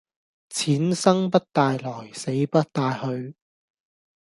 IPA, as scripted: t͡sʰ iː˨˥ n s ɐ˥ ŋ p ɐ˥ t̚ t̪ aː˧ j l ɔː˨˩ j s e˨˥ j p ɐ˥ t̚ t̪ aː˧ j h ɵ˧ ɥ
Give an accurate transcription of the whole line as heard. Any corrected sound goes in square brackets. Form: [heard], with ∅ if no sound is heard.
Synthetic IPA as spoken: t͡sʰ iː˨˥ n s ɐ˥ ŋ p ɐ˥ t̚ t̪ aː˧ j l ɔː˨˩ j s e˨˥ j p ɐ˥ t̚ t̪ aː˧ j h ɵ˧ ɥ